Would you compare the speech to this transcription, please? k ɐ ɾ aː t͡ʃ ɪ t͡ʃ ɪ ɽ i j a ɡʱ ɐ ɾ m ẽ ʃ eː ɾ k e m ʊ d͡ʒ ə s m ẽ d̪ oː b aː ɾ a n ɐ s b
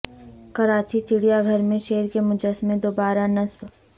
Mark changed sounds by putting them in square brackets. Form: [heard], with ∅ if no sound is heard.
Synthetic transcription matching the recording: k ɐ ɾ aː t͡ʃ [i] t͡ʃ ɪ ɽ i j a ɡʱ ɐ ɾ m ẽ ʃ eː ɾ k e m ʊ d͡ʒ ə s m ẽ d̪ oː b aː ɾ a n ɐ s b